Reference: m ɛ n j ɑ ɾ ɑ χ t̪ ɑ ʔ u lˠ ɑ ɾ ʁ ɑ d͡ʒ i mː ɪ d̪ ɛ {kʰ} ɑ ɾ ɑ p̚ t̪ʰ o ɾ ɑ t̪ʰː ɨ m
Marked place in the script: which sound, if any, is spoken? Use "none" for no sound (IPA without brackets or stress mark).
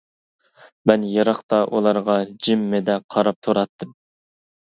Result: qʰ